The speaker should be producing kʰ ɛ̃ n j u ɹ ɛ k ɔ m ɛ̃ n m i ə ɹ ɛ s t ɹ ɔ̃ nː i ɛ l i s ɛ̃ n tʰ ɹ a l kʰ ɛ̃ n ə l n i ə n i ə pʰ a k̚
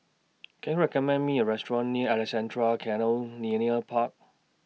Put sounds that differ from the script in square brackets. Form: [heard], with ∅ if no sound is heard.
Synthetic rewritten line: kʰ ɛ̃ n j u ɹ ɛ k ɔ m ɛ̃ n m i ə ɹ ɛ s t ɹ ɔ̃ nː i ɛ l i s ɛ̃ n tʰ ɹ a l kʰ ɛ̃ n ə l n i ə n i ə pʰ a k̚